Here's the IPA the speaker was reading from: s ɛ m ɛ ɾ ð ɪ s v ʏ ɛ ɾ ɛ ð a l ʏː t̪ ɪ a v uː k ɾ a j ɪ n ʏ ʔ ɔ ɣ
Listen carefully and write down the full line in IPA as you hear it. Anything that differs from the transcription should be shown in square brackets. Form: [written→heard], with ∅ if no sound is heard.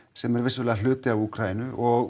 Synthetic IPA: s ɛ m ɛ ɾ [ð→v] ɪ s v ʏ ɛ [ɾ→l] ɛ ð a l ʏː t̪ ɪ a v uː k ɾ a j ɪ n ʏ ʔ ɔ ɣ